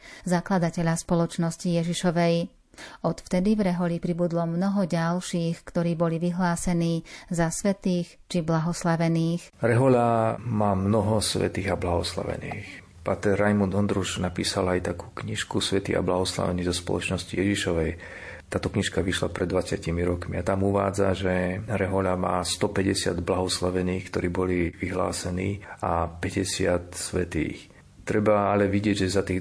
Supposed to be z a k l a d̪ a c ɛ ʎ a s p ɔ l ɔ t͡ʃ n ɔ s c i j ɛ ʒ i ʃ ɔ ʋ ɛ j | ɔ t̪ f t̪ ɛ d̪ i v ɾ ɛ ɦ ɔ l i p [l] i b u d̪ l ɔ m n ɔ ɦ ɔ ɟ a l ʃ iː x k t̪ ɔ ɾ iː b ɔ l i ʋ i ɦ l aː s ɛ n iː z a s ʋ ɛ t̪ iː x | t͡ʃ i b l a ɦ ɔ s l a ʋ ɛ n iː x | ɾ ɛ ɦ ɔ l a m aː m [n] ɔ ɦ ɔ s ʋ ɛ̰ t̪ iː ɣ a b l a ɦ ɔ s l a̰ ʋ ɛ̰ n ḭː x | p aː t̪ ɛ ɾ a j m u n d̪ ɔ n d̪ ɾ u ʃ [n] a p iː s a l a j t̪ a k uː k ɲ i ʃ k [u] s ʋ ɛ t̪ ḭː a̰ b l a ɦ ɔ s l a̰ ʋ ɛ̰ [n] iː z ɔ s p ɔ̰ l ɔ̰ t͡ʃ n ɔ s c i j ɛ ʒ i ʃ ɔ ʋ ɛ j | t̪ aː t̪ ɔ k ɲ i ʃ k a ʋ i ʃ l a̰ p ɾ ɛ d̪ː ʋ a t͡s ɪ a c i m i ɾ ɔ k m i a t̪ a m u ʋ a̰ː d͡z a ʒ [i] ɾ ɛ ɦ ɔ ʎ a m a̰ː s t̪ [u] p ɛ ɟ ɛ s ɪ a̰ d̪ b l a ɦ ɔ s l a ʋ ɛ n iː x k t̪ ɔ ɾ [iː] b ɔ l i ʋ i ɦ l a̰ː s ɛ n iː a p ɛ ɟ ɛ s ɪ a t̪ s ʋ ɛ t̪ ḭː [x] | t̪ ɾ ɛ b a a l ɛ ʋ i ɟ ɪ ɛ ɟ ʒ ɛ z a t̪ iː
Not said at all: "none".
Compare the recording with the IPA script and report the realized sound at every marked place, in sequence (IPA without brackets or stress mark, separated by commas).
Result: ɾ, n, n, u, n, ɛ, ɔ, iː, x